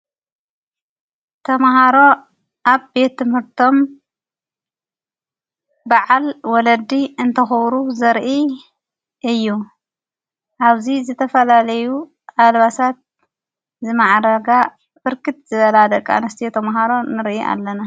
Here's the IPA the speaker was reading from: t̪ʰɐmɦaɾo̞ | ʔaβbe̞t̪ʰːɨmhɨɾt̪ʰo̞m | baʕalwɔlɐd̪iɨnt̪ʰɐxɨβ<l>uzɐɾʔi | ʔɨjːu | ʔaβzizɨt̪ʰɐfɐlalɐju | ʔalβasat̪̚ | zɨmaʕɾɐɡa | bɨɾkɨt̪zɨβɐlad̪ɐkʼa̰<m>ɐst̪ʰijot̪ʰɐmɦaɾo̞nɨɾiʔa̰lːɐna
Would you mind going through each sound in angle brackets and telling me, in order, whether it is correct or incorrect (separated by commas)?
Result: incorrect, incorrect